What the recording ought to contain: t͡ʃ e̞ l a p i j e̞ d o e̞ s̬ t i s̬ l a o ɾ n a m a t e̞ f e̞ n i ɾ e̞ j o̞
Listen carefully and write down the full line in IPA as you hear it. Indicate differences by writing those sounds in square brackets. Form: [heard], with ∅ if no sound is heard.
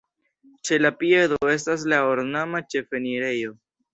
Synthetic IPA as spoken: t͡ʃ e̞ l a p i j e̞ d o e̞ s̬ t [a] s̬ l a o ɾ n a m a [t͡ʃ] e̞ f e̞ n i ɾ e̞ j o̞